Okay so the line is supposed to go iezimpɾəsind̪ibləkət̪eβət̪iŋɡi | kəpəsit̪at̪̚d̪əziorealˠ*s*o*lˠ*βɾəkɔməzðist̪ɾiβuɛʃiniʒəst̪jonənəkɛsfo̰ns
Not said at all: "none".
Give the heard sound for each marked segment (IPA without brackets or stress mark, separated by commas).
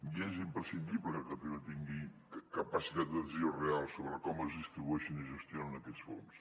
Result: s, none